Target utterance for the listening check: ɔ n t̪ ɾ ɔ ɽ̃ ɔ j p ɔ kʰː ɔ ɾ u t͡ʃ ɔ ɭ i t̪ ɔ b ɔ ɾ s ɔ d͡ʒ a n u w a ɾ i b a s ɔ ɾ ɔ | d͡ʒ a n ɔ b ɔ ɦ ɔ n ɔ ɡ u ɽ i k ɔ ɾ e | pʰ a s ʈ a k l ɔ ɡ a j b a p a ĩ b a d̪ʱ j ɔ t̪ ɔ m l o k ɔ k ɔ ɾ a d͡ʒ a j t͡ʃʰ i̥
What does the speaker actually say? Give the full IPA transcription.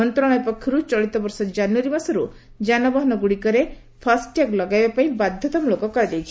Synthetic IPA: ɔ n t̪ ɾ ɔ ɽ̃ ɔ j p ɔ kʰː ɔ ɾ u t͡ʃ ɔ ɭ i t̪ ɔ b ɔ ɾ s ɔ d͡ʒ a n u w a ɾ i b a s ɔ ɾ u | d͡ʒ a n ɔ b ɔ ɦ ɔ n ɔ ɡ u ɽ i k ɔ ɾ e | pʰ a s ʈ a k l ɔ ɡ a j b a p a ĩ b a d̪ʱ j ɔ t̪ ɔ m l o k ɔ k ɔ ɾ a d͡ʒ a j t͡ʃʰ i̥